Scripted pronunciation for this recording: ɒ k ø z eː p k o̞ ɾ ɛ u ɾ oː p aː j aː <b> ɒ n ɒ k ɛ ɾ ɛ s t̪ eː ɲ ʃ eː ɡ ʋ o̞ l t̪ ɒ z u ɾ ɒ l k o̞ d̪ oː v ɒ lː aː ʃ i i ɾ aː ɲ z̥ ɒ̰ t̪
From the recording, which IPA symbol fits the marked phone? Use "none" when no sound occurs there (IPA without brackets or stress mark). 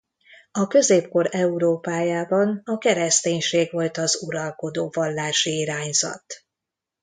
b